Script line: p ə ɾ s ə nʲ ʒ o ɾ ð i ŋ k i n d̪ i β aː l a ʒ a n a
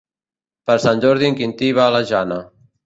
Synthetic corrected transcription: p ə ɾ s a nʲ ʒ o ɾ ð i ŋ k i n t̪ i β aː l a ʒ a n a